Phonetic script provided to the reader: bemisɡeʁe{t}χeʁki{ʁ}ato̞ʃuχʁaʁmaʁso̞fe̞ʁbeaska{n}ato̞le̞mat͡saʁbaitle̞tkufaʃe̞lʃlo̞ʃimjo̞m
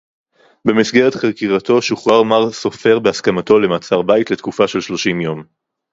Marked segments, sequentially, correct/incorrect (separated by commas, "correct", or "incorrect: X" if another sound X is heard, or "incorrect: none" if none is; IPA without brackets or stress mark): correct, correct, incorrect: m